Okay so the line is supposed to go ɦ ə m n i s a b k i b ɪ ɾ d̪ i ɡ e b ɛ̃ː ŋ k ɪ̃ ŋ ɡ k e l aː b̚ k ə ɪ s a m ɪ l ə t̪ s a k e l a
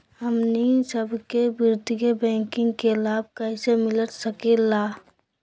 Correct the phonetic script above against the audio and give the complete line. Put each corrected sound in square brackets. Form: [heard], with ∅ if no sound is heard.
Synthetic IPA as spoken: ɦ ə m n i s [ə] b k [e] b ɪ ɾ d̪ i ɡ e b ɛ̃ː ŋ k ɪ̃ ŋ ɡ k e l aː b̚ k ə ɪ s [e] m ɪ l ə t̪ s [ə] k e l a